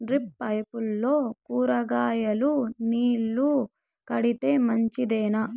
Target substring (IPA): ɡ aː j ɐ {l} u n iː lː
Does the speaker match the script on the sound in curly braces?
yes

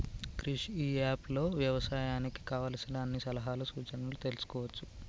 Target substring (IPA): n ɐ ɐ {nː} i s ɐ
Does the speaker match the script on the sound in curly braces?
yes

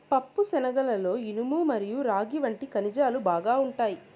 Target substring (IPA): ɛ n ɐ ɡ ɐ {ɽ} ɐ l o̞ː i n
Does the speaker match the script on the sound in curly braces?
no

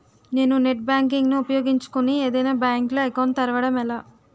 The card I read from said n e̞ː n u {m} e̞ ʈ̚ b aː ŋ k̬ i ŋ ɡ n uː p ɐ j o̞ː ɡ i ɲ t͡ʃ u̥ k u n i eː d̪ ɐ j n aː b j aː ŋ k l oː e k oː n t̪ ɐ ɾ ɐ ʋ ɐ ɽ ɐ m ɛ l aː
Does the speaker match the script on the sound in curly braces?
no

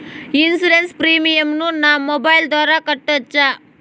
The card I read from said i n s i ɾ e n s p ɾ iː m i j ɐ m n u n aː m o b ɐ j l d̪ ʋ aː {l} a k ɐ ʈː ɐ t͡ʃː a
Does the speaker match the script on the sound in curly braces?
no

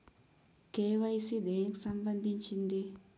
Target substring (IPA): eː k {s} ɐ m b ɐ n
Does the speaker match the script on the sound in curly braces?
yes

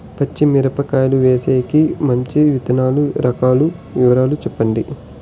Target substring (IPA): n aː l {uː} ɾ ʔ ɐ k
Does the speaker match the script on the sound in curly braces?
no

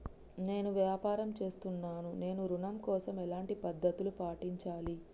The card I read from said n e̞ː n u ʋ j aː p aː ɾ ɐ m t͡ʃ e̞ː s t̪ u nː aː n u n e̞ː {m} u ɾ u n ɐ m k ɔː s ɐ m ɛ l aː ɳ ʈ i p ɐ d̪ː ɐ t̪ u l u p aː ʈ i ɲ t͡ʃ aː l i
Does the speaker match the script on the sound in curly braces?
no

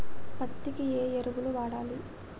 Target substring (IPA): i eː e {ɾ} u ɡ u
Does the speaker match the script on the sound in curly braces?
yes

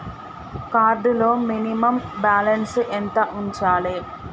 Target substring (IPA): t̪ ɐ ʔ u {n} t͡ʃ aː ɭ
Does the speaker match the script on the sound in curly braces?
no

